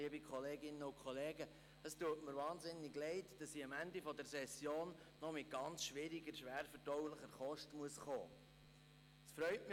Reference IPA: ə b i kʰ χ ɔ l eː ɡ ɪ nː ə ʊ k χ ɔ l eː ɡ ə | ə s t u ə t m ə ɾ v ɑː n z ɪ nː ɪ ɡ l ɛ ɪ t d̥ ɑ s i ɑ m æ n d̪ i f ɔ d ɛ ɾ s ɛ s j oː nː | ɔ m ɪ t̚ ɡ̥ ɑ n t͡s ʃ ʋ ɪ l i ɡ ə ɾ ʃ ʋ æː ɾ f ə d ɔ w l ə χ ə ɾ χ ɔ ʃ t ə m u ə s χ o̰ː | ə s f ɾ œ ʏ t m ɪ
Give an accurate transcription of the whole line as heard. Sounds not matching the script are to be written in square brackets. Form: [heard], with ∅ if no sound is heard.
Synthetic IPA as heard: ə b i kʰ χ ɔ l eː ɡ ɪ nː ə ʊ k χ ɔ l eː ɡ ə | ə s t u ə t m ə ɾ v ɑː n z ɪ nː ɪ ɡ l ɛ ɪ t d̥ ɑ s i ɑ m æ n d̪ i f ɔ d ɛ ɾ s ɛ s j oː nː | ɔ m ɪ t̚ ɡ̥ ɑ n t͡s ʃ ʋ ɪ [ɾ] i ɡ ə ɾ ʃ ʋ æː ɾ f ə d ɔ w l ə χ ə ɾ χ ɔ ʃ t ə m u ə s χ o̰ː | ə s f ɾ œ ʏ t m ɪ